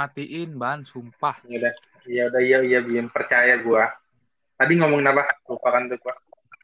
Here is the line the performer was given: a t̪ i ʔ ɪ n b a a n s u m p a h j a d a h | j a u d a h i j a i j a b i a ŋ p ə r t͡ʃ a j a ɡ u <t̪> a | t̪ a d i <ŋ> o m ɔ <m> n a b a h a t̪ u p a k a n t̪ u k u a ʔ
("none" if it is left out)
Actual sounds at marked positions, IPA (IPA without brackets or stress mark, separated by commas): none, ŋ, ŋ